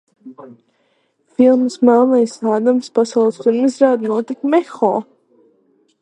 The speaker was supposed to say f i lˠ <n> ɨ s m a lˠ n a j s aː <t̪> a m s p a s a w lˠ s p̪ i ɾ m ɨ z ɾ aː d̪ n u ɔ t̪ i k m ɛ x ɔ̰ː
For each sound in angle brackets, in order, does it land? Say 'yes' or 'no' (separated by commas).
no, no